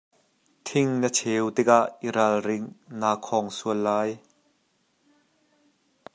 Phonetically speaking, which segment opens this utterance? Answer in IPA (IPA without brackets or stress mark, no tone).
t̪ʰ